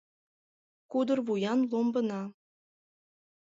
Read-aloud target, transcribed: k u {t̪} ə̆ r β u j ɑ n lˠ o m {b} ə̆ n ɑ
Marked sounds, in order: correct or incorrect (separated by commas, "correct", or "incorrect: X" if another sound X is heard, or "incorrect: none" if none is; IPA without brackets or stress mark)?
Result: incorrect: d̪, correct